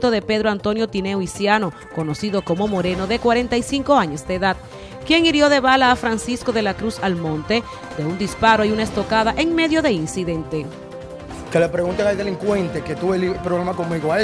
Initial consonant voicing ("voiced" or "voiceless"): voiceless